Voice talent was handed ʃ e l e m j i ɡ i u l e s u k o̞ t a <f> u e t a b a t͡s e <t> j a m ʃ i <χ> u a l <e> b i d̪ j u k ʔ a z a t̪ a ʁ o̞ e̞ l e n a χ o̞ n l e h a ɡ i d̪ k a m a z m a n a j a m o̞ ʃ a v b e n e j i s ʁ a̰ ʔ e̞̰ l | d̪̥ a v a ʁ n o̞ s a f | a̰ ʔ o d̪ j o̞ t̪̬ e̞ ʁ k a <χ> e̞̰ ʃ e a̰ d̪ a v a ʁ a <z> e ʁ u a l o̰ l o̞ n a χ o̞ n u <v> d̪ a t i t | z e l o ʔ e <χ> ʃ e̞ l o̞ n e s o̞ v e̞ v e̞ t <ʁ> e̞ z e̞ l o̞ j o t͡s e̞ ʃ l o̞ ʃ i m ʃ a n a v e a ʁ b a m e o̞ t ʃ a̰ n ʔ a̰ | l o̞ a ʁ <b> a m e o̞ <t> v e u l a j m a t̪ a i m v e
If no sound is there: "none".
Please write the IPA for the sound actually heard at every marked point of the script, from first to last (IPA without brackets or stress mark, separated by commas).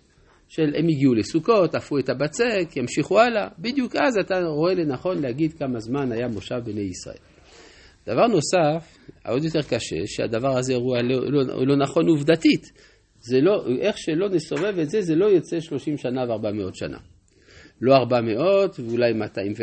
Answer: f, k, χ, a, ʃ, z, v, χ, z, b, t